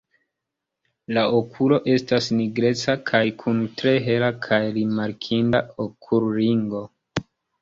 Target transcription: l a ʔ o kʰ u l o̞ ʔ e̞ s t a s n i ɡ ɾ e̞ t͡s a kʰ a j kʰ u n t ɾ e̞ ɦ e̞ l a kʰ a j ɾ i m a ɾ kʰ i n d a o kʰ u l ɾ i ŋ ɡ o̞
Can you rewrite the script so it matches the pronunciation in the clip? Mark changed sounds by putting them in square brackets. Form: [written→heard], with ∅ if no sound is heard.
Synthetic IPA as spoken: l a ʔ o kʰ u l o̞ ʔ e̞ s t a s n i ɡ ɾ e̞ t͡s a kʰ a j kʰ u n t ɾ e̞ ɦ e̞ l a kʰ a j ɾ i m a ɾ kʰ i n d a o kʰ u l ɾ i ŋ ɡ o̞